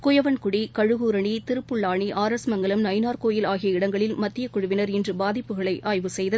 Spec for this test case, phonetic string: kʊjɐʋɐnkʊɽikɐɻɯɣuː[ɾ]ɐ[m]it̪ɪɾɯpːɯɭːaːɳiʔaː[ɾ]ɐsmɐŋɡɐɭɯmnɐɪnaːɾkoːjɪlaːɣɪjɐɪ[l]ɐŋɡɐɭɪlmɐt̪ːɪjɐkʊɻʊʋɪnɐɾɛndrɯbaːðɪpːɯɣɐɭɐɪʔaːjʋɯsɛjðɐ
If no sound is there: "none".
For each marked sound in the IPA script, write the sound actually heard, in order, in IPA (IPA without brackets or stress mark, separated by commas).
ɾ, ɳ, ɾ, ɽ